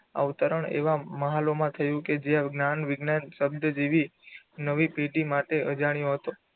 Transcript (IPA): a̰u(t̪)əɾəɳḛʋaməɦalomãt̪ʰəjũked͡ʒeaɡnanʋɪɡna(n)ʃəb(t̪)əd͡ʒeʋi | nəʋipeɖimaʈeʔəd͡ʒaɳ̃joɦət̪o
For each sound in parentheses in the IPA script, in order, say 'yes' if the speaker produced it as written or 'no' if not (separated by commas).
yes, yes, no